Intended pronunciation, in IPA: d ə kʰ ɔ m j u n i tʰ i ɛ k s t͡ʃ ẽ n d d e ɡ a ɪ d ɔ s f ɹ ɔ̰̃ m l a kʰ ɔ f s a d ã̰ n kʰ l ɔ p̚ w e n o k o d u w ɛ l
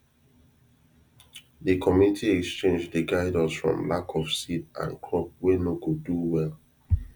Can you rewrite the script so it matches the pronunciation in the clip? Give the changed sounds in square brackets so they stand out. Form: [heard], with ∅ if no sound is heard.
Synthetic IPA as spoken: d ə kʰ ɔ m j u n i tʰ i ɛ k s t͡ʃ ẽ n [d͡ʒ] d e ɡ a ɪ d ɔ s f ɹ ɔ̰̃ m l a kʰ ɔ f s [i] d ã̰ n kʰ [ɹ] ɔ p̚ w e n o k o d u w ɛ l